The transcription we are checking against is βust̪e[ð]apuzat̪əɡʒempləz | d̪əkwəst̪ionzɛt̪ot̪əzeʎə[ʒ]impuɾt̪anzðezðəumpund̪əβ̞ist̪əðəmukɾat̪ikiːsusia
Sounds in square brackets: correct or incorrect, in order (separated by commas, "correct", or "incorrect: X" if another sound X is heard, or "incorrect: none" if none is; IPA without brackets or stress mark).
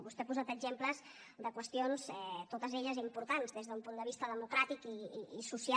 incorrect: none, incorrect: z